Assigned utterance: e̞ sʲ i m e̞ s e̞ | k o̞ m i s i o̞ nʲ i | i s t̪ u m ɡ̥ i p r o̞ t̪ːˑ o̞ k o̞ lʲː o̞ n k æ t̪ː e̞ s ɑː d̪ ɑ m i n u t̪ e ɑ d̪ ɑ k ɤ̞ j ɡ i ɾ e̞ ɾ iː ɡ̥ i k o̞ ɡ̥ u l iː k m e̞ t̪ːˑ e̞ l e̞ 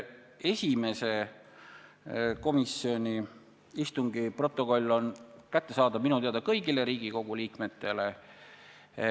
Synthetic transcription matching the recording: e̞ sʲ i m e̞ s e̞ | k o̞ m i s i o̞ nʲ i | i s t̪ u ŋ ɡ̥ i p r o̞ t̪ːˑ o̞ k o̞ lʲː o̞ n k æ t̪ː e̞ s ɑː d̪ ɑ m i n u t̪ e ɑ d̪ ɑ k ɤ̞ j ɡ i l e̞ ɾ iː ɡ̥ i k o̞ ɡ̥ u l iː k m e̞ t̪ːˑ e̞ l e̞